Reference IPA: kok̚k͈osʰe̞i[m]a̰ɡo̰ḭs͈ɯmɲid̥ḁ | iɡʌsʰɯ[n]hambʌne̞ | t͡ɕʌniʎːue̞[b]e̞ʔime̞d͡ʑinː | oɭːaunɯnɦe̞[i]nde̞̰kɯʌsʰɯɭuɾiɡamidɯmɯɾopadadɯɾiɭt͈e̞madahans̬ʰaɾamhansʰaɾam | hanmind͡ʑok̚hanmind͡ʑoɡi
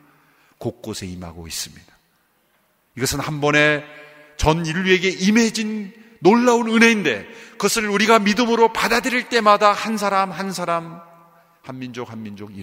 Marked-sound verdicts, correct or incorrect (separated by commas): correct, correct, incorrect, correct